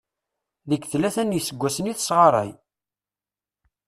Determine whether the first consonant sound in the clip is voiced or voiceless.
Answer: voiced